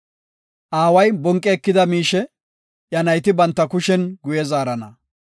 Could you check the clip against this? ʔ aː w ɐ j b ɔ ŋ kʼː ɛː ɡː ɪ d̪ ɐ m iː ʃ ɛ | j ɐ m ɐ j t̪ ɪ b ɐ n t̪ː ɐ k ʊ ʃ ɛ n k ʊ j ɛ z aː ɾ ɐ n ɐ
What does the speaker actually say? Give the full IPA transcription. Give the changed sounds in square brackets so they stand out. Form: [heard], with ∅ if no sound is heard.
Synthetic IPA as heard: ʔ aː w ɐ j b ɔ ŋ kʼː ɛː [kː] ɪ d̪ ɐ m iː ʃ ɛ | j ɐ [n] ɐ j t̪ ɪ b ɐ n t̪ː ɐ k ʊ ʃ ɛ n [ɡ] ʊ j ɛ z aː ɾ ɐ n ɐ